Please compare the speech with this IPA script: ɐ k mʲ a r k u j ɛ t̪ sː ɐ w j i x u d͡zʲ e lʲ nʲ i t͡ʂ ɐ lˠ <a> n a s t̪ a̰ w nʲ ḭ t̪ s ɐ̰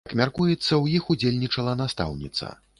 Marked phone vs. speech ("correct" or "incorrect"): incorrect